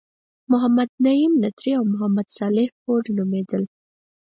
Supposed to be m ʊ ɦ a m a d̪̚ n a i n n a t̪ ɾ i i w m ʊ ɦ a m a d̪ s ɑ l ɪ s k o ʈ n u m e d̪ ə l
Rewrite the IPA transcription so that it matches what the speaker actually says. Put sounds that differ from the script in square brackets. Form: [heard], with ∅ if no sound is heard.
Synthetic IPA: m ʊ ɦ a m a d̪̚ n a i [m] n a t̪ ɾ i [a] w m ʊ ɦ a m a d̪ s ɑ l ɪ [h] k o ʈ n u m e d̪ ə l